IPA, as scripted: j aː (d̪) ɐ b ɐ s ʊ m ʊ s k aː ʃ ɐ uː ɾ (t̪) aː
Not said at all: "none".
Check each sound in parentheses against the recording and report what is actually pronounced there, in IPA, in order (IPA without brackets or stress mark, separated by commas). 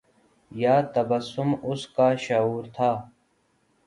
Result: t̪, t̪ʰ